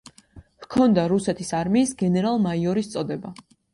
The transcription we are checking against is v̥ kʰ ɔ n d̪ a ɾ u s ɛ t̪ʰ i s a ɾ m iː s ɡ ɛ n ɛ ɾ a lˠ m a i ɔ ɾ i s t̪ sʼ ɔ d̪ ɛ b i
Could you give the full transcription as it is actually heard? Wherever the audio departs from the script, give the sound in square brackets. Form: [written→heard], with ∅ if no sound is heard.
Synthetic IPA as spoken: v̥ kʰ ɔ n d̪ a ɾ u s ɛ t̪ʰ i s a ɾ m iː s ɡ ɛ n ɛ ɾ a lˠ m a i ɔ ɾ i s t̪ sʼ ɔ d̪ ɛ b [i→a]